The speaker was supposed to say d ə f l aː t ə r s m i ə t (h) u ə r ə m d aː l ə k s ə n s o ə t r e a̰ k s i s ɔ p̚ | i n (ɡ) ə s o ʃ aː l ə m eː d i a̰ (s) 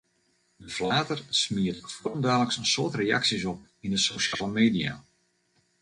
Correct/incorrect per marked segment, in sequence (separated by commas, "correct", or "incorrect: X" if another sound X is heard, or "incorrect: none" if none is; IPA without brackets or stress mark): incorrect: f, incorrect: d, incorrect: none